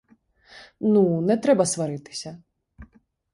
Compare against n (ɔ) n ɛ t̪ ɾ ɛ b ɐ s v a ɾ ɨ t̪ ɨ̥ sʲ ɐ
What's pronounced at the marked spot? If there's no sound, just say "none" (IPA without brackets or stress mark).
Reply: u